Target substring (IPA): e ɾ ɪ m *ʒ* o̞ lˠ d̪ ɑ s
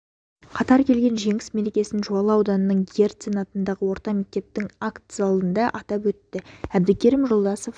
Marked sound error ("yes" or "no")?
no